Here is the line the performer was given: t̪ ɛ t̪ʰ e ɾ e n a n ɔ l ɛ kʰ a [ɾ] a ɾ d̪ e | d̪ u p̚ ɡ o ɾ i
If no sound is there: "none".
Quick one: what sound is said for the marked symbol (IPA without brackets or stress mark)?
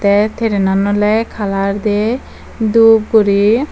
l